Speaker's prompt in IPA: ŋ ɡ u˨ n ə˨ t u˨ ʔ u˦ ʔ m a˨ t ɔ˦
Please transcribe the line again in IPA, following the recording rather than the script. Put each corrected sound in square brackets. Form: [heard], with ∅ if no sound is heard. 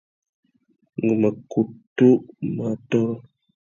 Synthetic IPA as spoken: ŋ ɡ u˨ [m] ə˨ [k] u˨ [t] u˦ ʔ m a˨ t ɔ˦